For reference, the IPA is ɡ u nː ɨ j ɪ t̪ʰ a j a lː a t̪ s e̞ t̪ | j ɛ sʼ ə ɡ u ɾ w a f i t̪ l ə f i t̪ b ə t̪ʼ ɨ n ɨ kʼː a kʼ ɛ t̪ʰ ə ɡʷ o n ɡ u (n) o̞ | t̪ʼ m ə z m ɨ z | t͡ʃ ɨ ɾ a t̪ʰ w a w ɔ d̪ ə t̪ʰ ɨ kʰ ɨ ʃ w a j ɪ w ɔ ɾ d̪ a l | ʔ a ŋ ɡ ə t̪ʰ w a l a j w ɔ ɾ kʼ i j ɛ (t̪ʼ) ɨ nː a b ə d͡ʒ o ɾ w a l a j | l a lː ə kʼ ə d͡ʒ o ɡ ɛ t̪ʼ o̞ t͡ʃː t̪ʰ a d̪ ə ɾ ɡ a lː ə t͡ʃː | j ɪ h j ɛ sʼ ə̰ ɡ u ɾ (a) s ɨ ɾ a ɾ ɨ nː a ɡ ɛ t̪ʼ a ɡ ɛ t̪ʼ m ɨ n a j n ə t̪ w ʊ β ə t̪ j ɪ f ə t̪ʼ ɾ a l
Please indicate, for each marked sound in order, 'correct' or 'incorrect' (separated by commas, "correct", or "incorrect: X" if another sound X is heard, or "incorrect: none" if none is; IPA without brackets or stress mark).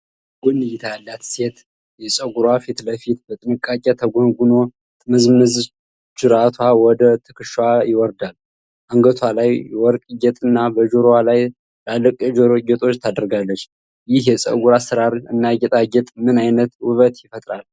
correct, correct, correct